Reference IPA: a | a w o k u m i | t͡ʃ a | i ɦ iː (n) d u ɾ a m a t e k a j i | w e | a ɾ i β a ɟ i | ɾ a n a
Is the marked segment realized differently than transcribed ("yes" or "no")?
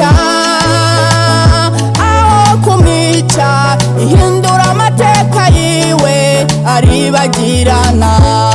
no